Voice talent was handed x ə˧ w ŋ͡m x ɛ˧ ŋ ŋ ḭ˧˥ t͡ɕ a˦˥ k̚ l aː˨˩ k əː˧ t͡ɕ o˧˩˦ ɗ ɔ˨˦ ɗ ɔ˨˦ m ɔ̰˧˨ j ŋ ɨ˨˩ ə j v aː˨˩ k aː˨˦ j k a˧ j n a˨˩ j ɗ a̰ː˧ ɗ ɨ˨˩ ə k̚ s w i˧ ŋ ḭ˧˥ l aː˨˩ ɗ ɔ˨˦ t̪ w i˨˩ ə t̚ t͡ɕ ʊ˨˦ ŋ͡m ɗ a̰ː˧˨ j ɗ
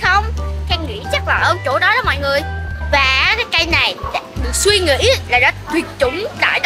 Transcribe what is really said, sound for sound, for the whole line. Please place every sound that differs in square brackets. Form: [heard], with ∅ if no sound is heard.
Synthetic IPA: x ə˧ w ŋ͡m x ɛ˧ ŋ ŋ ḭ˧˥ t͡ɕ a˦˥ k̚ l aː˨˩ [ʔ] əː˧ t͡ɕ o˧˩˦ ɗ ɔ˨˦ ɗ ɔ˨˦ m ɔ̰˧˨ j ŋ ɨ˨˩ ə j v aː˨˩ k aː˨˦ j k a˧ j n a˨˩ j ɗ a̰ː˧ ɗ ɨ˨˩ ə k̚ s w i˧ ŋ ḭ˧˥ l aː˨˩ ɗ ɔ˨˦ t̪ w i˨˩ ə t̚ t͡ɕ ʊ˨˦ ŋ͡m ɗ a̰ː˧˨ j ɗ